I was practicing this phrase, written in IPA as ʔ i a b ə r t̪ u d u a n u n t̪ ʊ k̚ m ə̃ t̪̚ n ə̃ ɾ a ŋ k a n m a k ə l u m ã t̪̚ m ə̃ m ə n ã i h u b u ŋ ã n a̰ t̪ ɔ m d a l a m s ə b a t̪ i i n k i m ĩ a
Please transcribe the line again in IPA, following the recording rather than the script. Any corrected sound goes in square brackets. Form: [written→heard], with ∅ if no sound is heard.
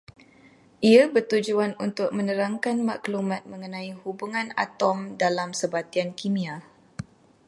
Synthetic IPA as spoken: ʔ i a b ə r t̪ u [d→d͡ʒ] u a n u n t̪ ʊ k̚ m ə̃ [t̪̚→∅] n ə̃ ɾ a ŋ k a n m a k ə l u m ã t̪̚ m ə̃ [m→ŋ] ə n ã i h u b u ŋ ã n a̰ t̪ ɔ m d a l a m s ə b a t̪ i [i→a] n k i m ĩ a